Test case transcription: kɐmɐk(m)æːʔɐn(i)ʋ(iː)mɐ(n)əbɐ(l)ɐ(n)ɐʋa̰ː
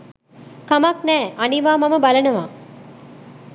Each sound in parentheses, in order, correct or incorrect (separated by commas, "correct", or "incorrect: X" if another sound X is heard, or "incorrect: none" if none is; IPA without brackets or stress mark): incorrect: n, correct, incorrect: aː, incorrect: m, correct, correct